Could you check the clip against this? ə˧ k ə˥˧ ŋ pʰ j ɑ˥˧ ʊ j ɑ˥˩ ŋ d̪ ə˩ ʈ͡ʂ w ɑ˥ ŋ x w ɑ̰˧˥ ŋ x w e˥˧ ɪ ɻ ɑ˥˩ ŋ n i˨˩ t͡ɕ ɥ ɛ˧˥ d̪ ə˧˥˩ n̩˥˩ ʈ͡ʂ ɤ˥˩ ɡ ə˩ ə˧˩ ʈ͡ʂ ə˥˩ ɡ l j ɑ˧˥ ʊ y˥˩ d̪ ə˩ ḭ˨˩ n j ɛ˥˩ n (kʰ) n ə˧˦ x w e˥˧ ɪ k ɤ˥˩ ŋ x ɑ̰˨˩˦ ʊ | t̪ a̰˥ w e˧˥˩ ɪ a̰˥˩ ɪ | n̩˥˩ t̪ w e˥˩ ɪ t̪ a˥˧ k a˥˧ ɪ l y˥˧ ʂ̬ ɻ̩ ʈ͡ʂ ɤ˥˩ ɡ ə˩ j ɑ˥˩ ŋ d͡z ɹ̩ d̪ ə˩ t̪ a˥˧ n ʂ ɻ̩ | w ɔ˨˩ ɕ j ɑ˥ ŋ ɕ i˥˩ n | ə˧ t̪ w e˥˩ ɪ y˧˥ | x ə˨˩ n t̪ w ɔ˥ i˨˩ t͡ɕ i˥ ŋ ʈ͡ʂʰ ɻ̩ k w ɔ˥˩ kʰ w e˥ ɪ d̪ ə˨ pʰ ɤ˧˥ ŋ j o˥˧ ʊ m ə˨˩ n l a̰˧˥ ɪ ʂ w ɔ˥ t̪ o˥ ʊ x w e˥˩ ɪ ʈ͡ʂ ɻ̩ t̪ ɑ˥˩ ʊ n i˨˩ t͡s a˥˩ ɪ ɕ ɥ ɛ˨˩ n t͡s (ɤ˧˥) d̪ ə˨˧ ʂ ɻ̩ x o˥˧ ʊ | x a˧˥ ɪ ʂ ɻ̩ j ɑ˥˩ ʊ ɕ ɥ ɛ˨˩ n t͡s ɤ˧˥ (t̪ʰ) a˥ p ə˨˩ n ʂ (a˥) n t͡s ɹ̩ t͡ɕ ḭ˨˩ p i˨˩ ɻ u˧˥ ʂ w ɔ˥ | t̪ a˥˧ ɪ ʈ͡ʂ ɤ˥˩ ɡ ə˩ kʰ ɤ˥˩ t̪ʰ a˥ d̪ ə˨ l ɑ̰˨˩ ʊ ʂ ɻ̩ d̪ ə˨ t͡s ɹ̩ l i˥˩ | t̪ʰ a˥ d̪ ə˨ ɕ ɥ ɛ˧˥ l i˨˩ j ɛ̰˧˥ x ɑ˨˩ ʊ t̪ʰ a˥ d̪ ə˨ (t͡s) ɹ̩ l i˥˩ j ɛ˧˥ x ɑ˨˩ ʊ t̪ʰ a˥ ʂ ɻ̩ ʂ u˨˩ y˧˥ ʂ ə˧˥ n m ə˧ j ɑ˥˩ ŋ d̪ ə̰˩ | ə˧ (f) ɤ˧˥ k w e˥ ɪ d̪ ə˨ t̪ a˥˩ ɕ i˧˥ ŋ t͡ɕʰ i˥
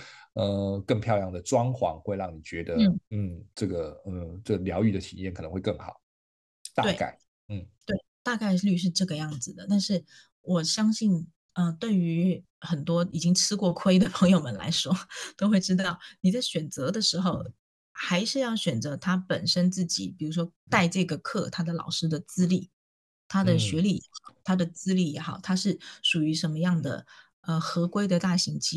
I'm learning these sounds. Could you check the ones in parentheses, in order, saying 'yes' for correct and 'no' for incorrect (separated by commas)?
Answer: yes, yes, yes, no, yes, no